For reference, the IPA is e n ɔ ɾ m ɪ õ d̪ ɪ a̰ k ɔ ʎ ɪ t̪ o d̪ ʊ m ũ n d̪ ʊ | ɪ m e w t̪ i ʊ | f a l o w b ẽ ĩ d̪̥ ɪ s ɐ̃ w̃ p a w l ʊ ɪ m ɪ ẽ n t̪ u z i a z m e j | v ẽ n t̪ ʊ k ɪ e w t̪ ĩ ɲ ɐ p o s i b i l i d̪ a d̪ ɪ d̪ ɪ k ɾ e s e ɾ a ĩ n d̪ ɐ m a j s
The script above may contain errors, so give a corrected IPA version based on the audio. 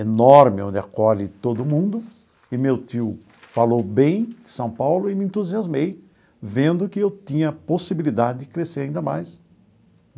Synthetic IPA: e n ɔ ɾ m ɪ õ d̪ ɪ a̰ k ɔ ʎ ɪ t̪ o d̪ ʊ m ũ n d̪ ʊ | ɪ m e w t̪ i ʊ | f a l o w b ẽ j̃ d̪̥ ɪ s ɐ̃ w̃ p a w l ʊ ɪ m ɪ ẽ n t̪ u z i a z m e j | v ẽ n d̪ ʊ k ɪ e w t̪ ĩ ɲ ɐ p o s i b i l i d̪ a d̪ ɪ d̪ ɪ k ɾ e s e ɾ a ĩ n d̪ ɐ m a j s